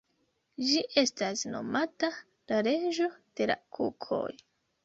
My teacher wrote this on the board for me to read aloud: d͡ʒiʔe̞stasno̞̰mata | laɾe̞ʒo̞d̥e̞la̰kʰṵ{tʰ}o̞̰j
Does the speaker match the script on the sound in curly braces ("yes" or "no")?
no